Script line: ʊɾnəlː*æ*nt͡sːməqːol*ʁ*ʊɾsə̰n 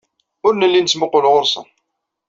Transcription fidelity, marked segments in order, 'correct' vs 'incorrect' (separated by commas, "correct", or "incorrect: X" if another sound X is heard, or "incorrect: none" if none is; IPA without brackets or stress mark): incorrect: i, correct